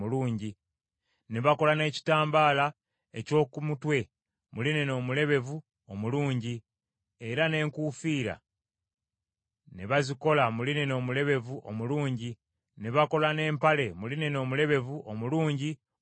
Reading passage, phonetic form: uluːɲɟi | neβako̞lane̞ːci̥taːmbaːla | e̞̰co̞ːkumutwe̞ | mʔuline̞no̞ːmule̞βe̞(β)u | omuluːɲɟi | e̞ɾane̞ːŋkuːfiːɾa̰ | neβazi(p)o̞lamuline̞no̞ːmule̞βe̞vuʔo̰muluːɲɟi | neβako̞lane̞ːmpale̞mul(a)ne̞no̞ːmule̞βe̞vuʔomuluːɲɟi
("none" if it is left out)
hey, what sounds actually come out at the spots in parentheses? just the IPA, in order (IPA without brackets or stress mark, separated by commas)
v, k, i